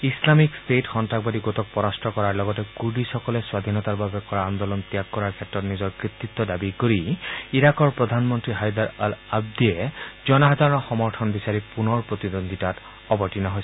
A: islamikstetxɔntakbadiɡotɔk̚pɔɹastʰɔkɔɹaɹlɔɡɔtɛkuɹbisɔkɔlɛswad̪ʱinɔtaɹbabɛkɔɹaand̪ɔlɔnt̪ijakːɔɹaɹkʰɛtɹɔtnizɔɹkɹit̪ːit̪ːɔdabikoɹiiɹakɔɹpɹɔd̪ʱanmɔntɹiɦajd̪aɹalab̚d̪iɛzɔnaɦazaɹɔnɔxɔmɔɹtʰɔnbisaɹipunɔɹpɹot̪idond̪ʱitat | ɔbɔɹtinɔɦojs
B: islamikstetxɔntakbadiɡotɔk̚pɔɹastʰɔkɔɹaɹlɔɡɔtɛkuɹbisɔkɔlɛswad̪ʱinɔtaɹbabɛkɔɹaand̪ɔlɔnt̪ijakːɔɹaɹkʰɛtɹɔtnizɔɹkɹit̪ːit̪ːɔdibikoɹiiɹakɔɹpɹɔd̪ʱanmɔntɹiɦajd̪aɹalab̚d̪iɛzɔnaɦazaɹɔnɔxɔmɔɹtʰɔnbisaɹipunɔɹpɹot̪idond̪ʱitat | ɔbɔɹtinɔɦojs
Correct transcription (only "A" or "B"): A